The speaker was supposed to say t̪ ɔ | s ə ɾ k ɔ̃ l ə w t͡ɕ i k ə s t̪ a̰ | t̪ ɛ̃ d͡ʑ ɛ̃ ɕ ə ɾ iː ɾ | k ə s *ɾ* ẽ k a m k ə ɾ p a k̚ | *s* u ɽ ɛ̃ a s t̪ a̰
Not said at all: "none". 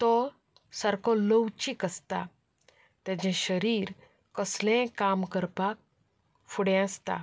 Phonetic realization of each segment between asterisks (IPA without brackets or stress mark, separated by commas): l, f